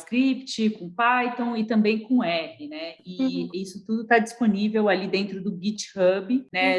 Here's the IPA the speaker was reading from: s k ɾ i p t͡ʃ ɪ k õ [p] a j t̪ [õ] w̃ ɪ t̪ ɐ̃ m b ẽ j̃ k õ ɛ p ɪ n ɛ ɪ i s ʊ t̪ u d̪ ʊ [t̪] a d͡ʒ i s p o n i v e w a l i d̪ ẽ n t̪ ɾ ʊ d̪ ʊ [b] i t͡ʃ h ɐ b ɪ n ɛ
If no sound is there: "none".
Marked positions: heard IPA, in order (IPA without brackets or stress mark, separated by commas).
p, õ, t̪, ɡ